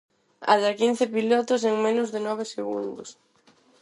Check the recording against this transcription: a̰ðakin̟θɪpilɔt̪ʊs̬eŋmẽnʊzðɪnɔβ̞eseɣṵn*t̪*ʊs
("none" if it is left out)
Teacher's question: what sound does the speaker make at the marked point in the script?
d̪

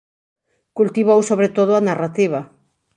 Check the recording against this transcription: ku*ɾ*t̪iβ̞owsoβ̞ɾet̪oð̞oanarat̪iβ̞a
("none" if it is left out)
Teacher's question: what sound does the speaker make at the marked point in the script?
l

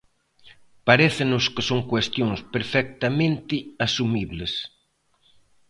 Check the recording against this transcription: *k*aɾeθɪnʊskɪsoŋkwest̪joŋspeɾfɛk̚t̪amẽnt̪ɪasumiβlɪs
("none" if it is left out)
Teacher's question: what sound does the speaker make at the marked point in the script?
p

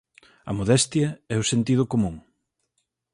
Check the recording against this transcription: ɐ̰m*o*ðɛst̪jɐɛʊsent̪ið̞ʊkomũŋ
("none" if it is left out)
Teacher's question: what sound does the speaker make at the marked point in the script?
o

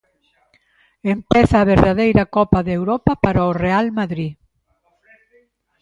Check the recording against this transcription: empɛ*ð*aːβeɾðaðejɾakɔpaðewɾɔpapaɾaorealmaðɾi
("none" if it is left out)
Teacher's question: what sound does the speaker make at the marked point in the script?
θ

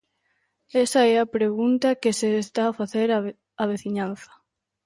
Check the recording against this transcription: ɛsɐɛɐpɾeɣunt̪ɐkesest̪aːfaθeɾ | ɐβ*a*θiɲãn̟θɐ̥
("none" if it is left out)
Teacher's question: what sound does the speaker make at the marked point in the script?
e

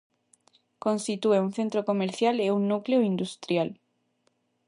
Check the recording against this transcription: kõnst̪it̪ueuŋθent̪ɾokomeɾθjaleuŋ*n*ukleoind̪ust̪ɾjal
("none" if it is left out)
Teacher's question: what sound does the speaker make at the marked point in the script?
n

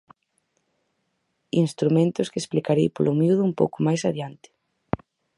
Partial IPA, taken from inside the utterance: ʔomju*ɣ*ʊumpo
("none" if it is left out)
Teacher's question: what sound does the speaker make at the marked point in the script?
ð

